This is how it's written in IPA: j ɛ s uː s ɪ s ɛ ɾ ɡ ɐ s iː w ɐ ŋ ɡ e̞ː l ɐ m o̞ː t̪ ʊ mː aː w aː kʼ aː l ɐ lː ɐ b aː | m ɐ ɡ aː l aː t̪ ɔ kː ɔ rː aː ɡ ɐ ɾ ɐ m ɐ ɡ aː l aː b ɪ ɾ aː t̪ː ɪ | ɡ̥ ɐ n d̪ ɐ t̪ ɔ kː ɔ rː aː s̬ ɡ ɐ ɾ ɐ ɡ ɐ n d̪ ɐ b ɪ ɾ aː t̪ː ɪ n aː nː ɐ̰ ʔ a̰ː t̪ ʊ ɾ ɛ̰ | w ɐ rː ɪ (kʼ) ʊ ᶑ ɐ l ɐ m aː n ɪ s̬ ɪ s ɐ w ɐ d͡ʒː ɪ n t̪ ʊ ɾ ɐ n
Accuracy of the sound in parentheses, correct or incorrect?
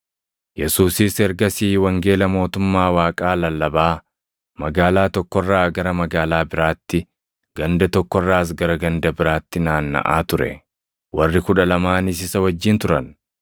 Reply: incorrect